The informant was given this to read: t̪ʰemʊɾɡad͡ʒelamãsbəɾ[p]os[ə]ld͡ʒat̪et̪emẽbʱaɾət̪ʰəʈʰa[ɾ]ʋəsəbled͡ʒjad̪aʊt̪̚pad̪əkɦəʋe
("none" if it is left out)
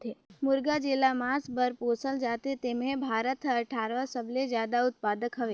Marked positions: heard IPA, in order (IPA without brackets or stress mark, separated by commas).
p, ə, ɾ